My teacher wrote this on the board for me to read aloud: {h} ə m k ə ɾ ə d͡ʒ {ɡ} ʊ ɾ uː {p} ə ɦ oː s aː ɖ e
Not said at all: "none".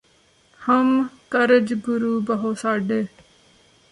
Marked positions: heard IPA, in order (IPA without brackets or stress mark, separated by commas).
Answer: h, ɡ, b